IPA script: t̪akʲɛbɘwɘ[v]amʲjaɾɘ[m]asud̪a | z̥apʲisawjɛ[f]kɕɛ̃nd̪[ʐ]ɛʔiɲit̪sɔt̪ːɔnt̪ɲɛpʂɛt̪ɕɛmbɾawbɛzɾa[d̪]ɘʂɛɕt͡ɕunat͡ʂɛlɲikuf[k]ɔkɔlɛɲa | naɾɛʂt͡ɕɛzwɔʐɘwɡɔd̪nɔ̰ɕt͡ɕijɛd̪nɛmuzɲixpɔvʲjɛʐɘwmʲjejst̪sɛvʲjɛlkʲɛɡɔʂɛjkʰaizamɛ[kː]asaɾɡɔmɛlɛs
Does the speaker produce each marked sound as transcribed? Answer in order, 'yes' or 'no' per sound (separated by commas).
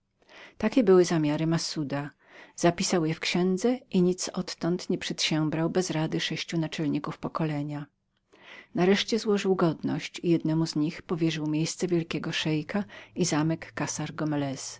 no, yes, yes, no, yes, no, yes